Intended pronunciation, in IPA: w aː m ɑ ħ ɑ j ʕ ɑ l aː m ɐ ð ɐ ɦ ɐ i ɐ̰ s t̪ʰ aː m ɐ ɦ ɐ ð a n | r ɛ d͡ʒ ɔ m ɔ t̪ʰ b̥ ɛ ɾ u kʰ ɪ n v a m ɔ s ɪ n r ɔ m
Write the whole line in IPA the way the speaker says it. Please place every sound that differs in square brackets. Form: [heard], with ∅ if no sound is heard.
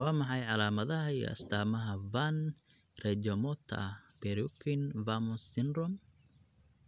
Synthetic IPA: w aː m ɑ ħ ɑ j ʕ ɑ l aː m ɐ ð ɐ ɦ ɐ i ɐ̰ s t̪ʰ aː m ɐ ɦ ɐ [v] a n | r ɛ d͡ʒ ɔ m ɔ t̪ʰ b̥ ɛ ɾ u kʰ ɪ n v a m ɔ s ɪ n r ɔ m